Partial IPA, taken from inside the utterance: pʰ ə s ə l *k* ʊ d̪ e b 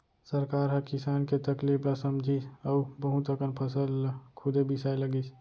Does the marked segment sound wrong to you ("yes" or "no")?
yes